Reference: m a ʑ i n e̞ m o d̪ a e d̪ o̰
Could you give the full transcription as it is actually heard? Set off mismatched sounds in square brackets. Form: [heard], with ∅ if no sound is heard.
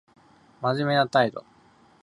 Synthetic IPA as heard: m a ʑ i [m] e̞ [n] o [t̪] a [i] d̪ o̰